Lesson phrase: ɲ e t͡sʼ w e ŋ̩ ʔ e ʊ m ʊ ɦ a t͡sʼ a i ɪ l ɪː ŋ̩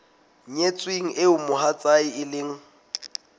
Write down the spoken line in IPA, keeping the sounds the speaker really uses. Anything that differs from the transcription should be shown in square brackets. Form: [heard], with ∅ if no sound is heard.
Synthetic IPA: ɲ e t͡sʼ w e ŋ̩ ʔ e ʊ m ʊ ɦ a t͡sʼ a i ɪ l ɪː ŋ̩